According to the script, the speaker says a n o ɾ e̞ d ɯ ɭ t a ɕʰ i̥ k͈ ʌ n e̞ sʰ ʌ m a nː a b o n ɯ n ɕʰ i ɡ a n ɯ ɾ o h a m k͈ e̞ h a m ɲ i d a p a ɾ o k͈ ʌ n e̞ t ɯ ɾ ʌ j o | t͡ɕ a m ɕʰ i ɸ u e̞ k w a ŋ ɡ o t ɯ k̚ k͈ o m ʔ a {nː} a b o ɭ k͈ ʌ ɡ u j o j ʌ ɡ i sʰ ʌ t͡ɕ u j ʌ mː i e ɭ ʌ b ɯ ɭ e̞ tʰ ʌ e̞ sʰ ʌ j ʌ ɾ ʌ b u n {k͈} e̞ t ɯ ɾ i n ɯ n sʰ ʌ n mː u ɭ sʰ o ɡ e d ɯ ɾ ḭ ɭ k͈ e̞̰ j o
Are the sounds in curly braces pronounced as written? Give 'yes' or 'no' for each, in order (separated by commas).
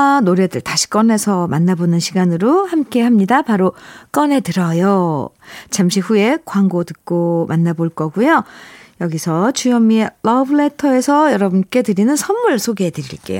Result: yes, yes